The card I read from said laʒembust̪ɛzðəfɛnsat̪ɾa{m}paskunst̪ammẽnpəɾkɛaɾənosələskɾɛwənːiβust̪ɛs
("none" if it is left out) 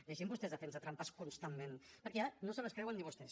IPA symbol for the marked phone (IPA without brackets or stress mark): m